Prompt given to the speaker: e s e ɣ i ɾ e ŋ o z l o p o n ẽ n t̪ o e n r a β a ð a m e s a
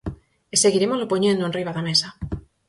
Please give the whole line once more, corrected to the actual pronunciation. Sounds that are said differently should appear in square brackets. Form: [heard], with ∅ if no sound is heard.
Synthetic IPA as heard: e s e ɣ i ɾ e [m] o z l o p o [ɲ] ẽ n [d̪] o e n r [i] β a ð a m e s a